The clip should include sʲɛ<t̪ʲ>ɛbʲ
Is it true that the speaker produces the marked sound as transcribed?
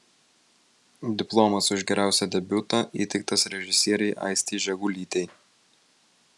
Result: no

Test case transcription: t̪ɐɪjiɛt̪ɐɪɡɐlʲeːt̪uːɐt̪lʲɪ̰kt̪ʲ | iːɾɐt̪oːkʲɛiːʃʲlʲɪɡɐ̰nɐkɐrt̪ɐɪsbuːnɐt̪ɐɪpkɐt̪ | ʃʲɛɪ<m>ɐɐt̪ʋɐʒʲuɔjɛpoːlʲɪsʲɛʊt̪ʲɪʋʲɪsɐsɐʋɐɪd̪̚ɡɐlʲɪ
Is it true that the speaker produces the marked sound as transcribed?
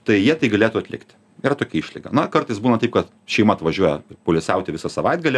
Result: yes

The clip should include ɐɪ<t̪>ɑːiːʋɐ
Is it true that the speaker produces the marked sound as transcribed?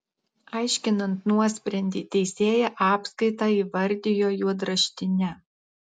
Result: yes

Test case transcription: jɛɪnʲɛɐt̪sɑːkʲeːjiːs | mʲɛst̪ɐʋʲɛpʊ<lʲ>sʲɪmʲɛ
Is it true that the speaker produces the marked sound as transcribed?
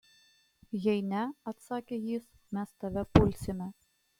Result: yes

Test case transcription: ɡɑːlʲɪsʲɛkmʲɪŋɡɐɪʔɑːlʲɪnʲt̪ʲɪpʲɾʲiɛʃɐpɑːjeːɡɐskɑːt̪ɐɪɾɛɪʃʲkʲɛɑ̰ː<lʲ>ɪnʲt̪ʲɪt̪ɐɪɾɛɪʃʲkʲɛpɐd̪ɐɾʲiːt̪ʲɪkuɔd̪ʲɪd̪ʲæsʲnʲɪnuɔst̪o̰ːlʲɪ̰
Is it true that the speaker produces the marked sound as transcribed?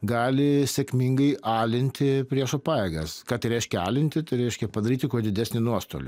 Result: yes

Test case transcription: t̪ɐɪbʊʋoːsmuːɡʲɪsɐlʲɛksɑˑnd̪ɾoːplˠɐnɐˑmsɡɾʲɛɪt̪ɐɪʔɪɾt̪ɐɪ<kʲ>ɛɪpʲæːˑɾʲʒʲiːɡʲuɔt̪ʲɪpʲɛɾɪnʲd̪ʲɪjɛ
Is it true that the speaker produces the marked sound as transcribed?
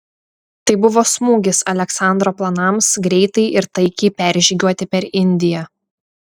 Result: yes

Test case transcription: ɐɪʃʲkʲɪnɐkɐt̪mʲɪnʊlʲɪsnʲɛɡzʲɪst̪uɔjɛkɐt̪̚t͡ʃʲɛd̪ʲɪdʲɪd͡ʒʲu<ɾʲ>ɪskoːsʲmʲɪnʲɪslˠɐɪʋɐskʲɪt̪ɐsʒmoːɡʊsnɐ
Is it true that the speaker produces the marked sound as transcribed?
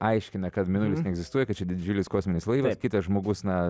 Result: no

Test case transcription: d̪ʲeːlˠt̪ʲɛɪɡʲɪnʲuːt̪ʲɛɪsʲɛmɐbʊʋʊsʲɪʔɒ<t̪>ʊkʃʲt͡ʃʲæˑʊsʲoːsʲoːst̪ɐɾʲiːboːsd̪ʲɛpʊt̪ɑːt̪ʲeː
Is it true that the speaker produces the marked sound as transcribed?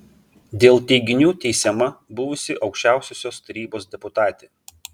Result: no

